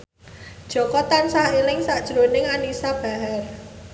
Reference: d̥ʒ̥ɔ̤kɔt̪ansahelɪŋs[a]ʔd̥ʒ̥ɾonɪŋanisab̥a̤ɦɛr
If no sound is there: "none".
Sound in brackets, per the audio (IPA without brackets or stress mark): a